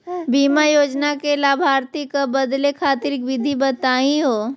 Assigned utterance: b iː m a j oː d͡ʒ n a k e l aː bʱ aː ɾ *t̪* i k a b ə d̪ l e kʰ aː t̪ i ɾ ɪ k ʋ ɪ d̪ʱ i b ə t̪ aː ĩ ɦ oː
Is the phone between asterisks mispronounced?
no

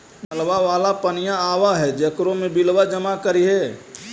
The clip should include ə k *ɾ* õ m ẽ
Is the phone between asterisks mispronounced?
no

